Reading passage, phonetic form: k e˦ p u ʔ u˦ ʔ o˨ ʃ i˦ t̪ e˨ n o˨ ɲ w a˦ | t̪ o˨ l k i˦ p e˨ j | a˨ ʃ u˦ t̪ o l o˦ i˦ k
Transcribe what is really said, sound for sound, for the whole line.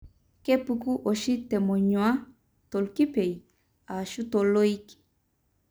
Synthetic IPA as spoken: k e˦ p u k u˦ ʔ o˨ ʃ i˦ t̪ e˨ m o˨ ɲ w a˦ | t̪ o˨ l k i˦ p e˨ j | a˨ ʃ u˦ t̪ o l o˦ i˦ k